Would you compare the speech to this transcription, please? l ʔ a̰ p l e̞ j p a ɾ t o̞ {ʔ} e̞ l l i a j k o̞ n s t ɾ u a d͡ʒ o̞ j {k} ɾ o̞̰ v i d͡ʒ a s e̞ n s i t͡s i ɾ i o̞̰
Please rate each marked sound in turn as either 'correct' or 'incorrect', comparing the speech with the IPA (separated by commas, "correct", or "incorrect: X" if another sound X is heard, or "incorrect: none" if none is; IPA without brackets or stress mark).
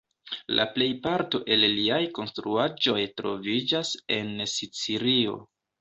correct, incorrect: t